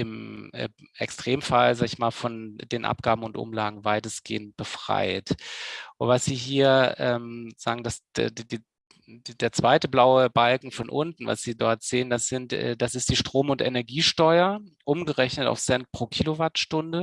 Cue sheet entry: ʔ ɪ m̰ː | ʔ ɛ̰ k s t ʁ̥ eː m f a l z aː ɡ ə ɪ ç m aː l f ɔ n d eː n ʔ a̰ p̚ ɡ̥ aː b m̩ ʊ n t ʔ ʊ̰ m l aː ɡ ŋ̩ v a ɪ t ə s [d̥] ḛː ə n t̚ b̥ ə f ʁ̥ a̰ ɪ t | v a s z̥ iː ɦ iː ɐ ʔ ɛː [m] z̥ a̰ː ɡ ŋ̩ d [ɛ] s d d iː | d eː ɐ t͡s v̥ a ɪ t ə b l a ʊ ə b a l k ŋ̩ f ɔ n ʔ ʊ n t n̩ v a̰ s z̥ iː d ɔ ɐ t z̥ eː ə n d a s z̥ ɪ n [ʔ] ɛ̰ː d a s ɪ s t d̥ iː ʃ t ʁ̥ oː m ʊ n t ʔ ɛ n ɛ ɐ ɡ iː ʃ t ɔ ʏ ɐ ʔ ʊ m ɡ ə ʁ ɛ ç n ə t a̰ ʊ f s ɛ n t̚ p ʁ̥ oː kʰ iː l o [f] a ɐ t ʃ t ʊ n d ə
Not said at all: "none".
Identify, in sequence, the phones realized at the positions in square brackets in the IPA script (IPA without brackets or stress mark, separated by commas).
ɡ̥, m, a, t, v